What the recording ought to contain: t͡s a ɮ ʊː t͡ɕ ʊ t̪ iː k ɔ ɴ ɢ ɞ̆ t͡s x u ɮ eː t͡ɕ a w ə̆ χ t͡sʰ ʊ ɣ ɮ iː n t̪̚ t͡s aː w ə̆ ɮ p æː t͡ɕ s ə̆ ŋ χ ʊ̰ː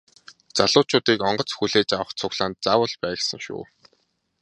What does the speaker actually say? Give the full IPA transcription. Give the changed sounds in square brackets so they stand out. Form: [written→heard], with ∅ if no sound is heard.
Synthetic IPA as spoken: t͡s a ɮ ʊː t͡ɕ [ʊ→ʊː] t̪ iː k ɔ ɴ ɢ ɞ̆ t͡s x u ɮ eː t͡ɕ a w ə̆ χ t͡sʰ ʊ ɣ ɮ [iː→aː] n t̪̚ t͡s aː w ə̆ ɮ p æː [t͡ɕ→∅] s ə̆ ŋ [χ→ʃ] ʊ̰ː